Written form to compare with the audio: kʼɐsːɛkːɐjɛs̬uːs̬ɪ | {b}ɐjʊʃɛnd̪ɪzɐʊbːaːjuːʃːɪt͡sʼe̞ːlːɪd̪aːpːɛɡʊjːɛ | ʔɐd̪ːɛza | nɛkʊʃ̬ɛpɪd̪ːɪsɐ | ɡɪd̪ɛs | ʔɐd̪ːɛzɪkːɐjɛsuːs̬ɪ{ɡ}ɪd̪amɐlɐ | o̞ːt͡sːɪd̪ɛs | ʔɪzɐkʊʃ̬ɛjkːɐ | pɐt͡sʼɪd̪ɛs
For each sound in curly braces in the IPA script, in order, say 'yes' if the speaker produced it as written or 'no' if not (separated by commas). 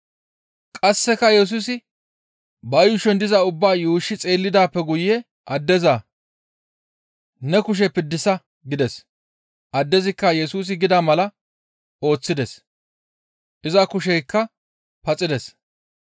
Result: yes, yes